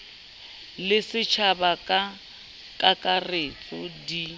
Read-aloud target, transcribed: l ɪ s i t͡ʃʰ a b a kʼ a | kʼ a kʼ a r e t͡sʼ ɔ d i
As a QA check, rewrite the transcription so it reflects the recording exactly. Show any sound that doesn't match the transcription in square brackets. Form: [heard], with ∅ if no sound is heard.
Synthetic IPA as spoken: l ɪ s [ɪ] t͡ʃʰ a b a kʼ a | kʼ a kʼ a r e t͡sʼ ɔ d i